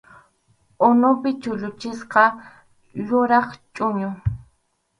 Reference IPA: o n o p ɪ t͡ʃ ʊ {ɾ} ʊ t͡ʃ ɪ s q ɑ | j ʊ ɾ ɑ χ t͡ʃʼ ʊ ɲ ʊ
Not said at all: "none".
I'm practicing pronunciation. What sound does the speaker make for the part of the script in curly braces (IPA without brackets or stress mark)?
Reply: ʎ